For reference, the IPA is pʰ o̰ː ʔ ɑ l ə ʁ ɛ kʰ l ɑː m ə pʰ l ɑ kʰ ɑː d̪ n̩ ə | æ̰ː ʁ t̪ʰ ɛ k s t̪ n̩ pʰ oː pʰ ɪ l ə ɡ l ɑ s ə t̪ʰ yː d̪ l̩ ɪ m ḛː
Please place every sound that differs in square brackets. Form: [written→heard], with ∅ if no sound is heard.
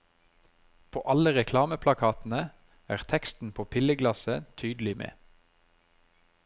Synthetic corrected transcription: pʰ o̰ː ʔ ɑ l ə ʁ ɛ kʰ l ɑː m ə pʰ l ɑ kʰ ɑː [d̪→t̪] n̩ ə | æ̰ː ʁ t̪ʰ ɛ k s t̪ n̩ pʰ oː pʰ ɪ l ə ɡ l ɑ s ə t̪ʰ yː d̪ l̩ ɪ m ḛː